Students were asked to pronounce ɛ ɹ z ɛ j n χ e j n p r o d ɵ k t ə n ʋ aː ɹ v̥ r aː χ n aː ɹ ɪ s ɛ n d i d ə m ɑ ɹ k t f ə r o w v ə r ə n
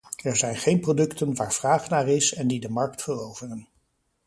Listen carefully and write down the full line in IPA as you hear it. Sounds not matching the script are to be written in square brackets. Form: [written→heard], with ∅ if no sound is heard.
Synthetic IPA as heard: ɛ ɹ z ɛ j n χ e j n p r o d ɵ k t ə n ʋ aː ɹ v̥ r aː χ n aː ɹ ɪ s ɛ n d i d ə m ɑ ɹ k t f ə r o w v ə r ə n